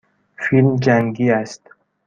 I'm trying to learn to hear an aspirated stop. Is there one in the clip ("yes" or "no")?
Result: no